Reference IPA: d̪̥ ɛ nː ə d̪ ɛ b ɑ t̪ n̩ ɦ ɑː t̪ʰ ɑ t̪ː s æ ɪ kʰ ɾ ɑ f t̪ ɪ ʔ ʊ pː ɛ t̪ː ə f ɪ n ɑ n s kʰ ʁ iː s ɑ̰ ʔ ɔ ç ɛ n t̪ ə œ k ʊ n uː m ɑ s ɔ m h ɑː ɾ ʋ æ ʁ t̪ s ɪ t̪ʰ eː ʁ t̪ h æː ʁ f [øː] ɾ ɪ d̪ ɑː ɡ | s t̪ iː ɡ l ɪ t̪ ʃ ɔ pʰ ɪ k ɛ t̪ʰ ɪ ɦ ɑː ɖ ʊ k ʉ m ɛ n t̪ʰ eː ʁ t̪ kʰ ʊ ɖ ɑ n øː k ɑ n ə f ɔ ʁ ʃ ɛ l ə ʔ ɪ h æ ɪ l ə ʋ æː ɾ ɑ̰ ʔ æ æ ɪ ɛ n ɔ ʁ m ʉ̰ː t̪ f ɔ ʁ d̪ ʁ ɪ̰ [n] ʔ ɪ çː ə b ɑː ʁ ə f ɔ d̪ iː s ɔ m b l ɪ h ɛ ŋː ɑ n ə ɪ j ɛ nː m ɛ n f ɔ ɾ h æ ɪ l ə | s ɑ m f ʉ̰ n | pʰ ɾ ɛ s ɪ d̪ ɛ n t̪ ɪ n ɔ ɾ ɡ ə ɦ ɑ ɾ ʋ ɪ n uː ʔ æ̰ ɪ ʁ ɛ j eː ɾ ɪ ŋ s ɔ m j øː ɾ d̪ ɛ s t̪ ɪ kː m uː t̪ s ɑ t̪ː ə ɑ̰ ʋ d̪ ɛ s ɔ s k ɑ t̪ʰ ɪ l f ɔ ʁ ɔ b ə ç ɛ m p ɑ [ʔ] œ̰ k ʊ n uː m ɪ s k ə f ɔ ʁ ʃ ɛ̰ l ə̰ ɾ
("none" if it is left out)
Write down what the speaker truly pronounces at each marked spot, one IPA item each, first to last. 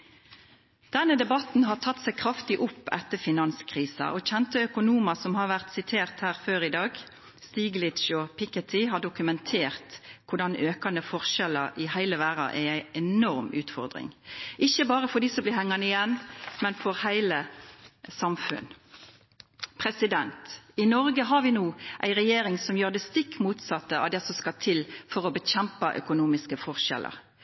øː, ŋ, ʔ

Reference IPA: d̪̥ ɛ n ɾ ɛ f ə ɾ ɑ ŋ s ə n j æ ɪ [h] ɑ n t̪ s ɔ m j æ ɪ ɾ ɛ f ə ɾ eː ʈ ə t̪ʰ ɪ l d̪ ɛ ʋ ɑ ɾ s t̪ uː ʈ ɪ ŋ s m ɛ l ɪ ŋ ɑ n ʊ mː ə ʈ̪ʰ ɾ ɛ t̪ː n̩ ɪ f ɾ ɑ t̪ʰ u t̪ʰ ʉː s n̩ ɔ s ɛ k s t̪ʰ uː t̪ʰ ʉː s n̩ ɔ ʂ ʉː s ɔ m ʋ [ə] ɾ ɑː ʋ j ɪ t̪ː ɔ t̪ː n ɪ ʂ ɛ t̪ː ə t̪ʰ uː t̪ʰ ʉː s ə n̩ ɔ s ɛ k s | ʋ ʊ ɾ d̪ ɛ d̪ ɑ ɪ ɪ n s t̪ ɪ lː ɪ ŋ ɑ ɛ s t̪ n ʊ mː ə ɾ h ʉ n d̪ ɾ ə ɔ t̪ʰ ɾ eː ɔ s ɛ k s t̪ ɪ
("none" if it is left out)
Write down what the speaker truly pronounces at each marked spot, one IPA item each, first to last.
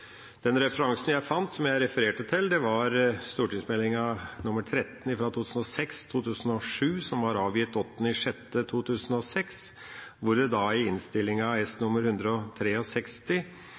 f, ɑ

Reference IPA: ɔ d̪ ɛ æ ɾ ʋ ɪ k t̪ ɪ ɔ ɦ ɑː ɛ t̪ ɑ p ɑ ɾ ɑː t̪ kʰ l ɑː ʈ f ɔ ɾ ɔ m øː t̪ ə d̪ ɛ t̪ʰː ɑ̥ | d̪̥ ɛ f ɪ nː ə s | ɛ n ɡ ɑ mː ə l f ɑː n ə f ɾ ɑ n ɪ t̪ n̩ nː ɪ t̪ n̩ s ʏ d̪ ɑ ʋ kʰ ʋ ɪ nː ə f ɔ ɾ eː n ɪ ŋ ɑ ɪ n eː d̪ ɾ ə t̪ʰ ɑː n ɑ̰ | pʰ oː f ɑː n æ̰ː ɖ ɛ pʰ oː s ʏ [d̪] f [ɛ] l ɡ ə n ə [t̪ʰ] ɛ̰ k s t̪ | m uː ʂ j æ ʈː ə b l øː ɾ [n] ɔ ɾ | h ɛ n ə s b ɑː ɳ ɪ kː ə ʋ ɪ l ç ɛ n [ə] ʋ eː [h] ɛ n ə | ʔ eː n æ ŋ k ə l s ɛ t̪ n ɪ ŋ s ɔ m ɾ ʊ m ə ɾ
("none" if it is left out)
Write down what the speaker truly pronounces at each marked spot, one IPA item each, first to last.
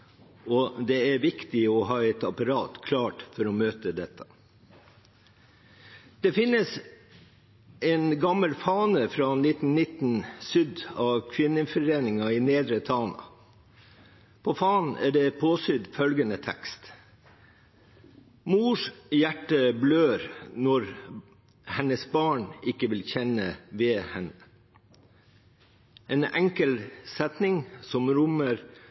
d̪, œ, t̪ʰ, n, ə, h

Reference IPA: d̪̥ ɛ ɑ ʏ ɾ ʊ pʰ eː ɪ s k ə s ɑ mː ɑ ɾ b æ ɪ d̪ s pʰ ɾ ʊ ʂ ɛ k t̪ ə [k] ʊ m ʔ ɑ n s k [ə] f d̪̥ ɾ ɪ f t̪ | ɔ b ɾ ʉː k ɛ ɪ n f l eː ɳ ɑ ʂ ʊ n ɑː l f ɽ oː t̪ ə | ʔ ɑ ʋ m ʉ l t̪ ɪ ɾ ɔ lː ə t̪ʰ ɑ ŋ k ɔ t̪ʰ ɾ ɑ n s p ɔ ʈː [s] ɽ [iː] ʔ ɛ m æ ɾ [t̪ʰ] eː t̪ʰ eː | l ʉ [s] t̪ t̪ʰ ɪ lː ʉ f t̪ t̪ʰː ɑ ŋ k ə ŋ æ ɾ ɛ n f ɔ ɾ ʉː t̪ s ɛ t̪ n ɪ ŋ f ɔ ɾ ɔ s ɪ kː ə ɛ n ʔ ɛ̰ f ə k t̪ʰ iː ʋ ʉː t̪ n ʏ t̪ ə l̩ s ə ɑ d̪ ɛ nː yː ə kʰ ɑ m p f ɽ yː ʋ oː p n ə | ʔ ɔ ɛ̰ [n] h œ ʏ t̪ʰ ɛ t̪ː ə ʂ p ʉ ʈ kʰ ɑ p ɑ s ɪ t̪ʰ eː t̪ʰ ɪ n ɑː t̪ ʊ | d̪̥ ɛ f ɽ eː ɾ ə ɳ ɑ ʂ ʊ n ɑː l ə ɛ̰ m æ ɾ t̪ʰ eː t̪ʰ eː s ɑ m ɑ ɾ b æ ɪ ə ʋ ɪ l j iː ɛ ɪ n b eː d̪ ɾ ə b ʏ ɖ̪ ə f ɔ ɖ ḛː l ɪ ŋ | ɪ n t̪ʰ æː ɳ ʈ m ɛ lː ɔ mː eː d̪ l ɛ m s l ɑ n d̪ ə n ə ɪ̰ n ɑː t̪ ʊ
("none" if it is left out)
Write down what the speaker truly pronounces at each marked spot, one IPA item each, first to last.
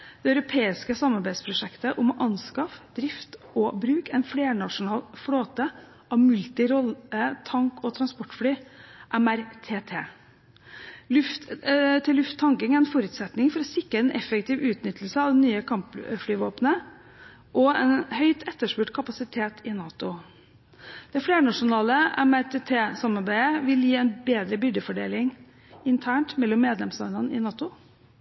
ʔ, ɑ, f, yː, t̪ʰ, f, n

